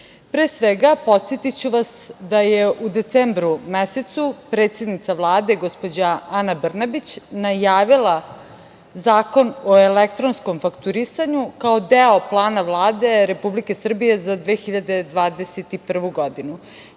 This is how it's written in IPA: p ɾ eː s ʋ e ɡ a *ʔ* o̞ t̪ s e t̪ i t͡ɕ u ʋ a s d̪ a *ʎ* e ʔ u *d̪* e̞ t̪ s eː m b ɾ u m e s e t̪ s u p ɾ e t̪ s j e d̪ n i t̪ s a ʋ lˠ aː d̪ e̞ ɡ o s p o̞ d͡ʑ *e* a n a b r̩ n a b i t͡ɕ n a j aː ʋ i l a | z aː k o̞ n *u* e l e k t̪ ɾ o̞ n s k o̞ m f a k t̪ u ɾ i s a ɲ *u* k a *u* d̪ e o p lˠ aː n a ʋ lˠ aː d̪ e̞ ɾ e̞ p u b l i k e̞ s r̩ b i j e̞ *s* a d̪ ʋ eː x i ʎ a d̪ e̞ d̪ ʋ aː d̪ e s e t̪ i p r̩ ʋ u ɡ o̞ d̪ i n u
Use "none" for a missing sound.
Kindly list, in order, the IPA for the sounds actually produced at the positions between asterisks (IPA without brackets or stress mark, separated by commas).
p, j, d̪, a, o, u, o, z